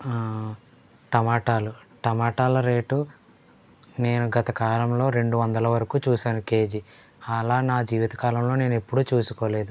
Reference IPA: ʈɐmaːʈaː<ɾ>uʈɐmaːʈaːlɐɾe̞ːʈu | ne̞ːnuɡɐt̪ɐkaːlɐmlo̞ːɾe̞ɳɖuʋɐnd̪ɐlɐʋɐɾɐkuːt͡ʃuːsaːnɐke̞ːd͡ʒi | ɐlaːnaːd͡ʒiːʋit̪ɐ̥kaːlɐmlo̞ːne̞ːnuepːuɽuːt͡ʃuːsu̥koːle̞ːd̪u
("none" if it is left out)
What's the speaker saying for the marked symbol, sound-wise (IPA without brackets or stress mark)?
l